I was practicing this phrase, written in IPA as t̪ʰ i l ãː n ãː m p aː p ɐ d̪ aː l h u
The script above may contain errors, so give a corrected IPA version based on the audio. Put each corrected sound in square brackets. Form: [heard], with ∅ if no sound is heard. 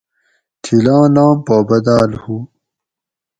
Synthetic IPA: t̪ʰ i l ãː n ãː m p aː [b] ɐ d̪ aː l h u